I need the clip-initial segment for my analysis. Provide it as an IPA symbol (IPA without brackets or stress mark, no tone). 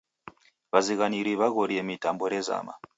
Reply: β